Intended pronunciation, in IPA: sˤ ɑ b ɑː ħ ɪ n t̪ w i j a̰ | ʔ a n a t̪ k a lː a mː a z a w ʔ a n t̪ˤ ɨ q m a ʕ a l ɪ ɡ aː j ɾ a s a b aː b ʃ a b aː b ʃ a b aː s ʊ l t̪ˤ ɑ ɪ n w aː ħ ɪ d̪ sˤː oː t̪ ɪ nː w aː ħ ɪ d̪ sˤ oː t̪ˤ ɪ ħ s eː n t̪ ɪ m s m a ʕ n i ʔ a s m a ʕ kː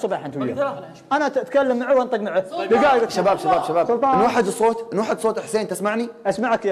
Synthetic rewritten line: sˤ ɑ b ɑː ħ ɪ n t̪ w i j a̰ | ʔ a n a t̪ k a lː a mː a ʕ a w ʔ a n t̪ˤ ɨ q m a ʕ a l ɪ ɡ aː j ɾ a ʃ a b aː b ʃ a b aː b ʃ a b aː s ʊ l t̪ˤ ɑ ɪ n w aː ħ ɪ d̪ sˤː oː t̪ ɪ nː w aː ħ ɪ d̪ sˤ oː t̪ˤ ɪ ħ s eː n t̪ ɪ s m a ʕ n i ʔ a s m a ʕ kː

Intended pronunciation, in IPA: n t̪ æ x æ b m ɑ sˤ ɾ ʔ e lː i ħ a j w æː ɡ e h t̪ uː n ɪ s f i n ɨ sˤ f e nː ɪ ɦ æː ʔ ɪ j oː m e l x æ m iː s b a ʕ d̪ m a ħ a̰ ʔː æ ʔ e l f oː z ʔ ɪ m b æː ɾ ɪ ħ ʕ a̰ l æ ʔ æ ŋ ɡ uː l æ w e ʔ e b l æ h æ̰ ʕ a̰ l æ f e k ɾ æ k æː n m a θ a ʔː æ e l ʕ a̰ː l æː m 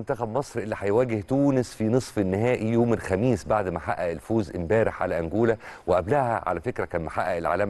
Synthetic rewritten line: n t̪ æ x æ b m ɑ sˤ ɾ ʔ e lː i ħ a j w æː ɡ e h t̪ uː n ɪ s f i n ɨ sˤ f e nː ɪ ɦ æː ʔ i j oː m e l x æ m iː s b a ʕ d̪ m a ħ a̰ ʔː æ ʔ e l f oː z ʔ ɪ m b æː ɾ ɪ ħ ʕ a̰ l æ ʔ æ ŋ ɡ uː l æ w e ʔ æ b l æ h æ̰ ʕ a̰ l æ f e k ɾ æ k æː n m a ħ a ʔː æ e l ʕ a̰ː l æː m

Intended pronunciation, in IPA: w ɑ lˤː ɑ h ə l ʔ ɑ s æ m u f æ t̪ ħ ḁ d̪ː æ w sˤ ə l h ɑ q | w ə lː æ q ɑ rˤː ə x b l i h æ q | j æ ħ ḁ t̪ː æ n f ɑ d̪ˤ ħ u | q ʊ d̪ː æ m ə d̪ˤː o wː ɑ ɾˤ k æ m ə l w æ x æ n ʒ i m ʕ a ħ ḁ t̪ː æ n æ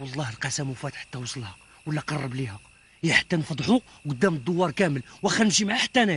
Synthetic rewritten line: w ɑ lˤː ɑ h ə l q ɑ s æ m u f æ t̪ ħ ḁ t̪ː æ w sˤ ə l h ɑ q | w ə lː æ q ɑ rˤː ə b l i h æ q | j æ ħ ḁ t̪ː æ n f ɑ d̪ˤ ħ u | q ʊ d̪ː æ m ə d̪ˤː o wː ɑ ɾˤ k æ m ə l w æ x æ n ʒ i m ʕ a ħ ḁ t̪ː æ n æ

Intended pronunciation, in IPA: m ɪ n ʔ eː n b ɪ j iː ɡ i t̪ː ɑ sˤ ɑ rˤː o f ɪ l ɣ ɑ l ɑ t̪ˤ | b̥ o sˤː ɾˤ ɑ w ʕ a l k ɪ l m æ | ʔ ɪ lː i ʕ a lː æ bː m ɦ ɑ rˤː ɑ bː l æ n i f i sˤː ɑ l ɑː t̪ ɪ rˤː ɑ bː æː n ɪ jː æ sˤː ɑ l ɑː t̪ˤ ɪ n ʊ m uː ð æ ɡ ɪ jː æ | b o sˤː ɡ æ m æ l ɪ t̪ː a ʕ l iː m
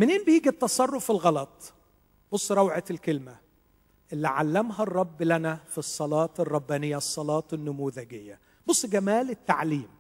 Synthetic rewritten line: m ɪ n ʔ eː n b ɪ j iː ɡ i t̪ː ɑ sˤ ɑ rˤː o f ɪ l ɣ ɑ l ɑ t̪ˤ | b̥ o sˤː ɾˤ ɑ w ʕ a l k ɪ l m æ | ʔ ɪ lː i ʕ a lː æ m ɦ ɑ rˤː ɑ bː l æ n æ f i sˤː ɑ l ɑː t̪ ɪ rˤː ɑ bː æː n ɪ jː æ sˤː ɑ l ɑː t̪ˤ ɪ nː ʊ m uː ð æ ɡ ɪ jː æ | b o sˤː ɡ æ m æː l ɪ t̪ː a ʕ l iː m

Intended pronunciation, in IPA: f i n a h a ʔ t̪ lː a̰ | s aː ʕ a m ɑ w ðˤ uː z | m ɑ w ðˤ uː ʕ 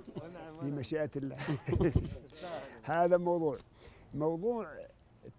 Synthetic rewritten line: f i m a ʃ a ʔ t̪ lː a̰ | h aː ð a m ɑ w ðˤ uː ʕ | m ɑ w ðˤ uː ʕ

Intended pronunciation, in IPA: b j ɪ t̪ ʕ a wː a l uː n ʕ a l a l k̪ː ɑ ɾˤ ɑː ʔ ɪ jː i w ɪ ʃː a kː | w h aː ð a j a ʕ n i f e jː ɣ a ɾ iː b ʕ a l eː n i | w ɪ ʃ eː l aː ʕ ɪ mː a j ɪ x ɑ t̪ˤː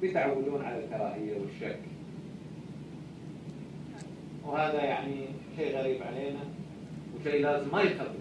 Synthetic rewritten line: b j ɪ t̪ ʕ a wː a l uː n ʕ a l a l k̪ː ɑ ɾˤ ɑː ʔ ɪ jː a w ɪ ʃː a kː | w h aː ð a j a ʕ n i ʃ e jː ɣ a ɾ iː b ʕ a l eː n a | w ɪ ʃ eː l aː z ɪ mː a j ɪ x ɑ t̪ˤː

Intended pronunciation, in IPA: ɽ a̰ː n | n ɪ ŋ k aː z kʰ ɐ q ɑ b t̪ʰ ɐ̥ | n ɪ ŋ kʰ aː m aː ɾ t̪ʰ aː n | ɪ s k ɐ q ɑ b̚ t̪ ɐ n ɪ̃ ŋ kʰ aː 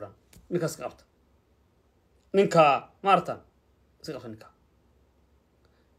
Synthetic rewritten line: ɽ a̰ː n | n ɪ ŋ k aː s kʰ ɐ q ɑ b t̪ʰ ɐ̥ | n ɪ ŋ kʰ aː m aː ɾ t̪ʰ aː n | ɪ s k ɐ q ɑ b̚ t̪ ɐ n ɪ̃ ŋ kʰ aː

